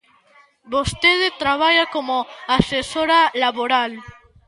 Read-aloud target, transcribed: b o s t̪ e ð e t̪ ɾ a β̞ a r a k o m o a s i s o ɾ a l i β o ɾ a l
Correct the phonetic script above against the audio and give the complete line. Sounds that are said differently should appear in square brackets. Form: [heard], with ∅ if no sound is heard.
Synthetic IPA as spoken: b o s t̪ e ð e t̪ ɾ a β̞ a [ʎ] a k o m o a s [e] s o ɾ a l [a] β o ɾ a l